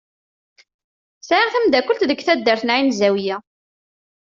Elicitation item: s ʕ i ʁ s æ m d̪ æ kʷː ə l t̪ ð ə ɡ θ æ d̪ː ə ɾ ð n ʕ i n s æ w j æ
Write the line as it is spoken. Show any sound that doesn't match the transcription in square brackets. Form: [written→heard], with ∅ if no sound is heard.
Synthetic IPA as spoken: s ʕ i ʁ [s→θ] æ m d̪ æ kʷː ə l t̪ ð ə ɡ θ æ d̪ː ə ɾ [ð→θ] n ʕ i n [s→z] æ w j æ